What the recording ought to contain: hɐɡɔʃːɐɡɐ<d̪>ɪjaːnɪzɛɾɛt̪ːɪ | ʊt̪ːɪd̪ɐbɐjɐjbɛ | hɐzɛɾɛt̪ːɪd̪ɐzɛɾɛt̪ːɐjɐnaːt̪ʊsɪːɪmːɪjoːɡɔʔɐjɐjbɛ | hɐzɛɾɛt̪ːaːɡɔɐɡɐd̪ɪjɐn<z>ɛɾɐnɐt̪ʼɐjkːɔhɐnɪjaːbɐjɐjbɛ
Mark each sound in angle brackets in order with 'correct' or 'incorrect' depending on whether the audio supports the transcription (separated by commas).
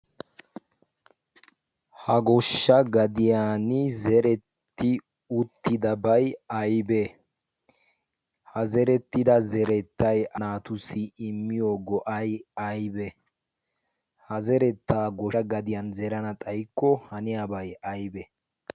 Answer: correct, correct